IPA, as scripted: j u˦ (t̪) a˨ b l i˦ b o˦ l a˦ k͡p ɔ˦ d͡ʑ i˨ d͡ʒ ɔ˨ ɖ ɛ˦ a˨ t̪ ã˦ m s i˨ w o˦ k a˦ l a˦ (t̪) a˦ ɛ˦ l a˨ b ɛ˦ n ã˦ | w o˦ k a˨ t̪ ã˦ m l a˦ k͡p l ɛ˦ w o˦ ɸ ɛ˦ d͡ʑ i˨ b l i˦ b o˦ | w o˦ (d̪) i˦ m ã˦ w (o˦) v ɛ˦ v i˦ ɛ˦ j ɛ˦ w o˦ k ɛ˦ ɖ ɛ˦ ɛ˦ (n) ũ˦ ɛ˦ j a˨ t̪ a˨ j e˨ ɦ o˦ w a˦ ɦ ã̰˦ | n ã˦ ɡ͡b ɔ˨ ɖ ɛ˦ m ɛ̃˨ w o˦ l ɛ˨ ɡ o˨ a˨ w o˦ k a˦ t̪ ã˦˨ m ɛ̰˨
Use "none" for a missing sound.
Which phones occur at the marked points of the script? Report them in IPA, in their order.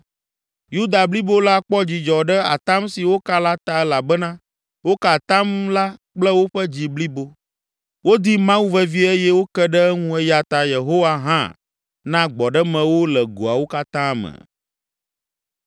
d̪, t̪, d̪, u˦, ŋ

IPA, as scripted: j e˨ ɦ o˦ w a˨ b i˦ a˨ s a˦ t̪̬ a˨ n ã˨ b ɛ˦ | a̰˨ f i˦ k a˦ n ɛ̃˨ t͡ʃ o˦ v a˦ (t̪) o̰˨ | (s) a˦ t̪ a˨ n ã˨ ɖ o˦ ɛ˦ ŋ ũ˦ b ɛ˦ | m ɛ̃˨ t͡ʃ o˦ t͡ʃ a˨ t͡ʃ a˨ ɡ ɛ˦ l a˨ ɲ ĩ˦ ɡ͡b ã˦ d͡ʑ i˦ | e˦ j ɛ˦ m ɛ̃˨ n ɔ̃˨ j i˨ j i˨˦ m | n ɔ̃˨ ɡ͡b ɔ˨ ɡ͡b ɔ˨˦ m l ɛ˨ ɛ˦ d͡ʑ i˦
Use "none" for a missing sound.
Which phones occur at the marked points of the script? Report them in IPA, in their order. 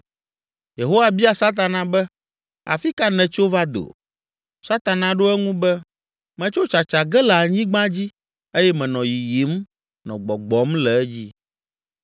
d̪, s

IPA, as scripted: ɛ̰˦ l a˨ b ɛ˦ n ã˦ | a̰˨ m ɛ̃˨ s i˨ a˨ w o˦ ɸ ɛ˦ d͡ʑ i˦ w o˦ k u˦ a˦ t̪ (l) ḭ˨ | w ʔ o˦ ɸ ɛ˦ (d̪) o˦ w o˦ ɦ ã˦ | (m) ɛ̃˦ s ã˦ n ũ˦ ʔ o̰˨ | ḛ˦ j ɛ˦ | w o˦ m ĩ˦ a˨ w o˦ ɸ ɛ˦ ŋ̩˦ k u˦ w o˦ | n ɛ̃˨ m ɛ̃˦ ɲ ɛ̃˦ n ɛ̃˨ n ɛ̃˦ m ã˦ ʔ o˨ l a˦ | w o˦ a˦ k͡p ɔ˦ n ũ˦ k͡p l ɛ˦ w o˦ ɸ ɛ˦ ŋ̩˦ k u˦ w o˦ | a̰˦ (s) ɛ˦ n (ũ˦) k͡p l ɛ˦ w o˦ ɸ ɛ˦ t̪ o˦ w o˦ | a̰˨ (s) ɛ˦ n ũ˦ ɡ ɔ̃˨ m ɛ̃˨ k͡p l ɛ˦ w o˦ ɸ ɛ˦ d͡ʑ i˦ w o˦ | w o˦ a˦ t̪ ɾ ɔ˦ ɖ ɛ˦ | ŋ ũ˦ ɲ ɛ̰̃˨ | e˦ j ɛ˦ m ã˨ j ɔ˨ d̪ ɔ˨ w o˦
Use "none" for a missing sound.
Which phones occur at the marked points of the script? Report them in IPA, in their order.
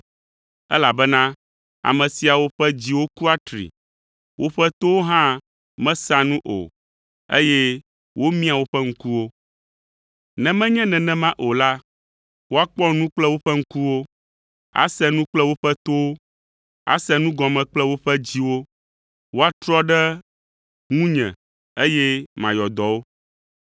ɾ, t̪, m, s, ũ˦, s

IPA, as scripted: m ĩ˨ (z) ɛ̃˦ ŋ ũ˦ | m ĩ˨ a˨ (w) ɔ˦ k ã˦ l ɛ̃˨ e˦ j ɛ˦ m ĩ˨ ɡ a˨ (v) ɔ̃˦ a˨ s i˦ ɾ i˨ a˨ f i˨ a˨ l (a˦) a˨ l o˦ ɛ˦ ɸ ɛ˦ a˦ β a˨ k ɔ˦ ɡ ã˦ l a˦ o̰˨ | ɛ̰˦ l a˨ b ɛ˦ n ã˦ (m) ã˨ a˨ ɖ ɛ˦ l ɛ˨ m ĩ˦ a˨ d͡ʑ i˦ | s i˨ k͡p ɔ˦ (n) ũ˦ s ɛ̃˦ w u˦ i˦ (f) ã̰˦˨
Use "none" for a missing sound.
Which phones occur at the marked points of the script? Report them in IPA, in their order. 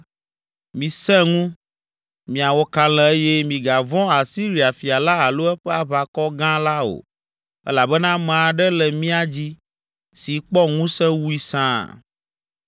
s, w, v, a˦, m, ŋ, s

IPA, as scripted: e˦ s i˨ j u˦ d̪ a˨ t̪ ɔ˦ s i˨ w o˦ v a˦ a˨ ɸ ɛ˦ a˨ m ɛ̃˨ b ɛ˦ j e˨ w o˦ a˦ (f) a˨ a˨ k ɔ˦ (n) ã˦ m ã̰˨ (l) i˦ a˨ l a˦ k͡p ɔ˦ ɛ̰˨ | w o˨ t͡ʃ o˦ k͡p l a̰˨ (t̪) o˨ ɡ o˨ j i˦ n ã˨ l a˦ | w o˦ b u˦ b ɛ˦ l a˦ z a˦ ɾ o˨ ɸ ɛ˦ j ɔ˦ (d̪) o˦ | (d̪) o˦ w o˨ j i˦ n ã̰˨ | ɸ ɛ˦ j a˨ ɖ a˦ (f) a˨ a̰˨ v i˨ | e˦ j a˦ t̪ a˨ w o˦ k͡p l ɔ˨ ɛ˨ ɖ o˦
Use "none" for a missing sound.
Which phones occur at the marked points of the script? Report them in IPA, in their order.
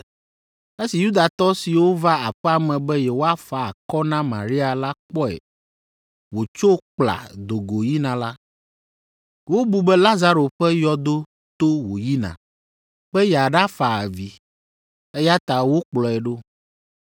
f, n, ɾ, d̪, d̪, t̪, f

